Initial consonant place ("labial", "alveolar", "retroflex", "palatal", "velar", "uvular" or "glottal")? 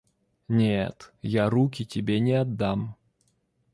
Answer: alveolar